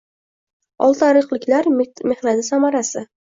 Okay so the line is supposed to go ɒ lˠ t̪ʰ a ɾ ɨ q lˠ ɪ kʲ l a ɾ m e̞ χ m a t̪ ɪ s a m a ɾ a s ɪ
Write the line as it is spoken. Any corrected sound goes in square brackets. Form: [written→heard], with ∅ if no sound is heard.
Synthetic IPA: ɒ lˠ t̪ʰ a ɾ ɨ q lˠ ɪ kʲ l a ɾ m e̞ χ [m→n] a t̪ ɪ s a m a ɾ a s ɪ